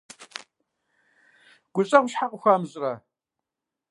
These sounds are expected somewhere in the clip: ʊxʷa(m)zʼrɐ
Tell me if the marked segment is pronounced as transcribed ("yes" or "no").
yes